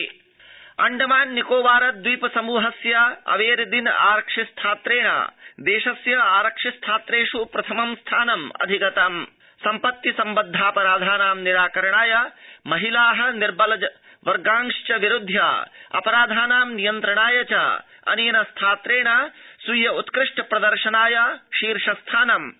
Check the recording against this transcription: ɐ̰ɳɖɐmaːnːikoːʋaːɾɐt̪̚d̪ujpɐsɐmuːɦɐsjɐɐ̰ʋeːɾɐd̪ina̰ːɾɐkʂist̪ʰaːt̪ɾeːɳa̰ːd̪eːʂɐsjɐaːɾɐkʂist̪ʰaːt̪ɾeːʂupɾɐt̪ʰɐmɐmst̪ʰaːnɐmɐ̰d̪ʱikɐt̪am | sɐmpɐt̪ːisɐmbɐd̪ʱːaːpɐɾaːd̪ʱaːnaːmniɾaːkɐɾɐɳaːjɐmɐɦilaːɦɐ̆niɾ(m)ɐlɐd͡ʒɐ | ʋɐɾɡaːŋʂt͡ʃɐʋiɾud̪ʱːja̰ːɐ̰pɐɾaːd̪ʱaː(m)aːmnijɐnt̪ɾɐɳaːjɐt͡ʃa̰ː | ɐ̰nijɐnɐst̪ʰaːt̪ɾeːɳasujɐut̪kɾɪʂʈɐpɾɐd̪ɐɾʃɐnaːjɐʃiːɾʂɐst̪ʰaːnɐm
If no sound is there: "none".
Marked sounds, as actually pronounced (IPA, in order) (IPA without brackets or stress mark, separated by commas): b, n